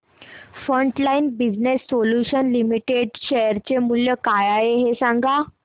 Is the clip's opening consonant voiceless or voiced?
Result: voiceless